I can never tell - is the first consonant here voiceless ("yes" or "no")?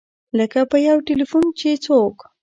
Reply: no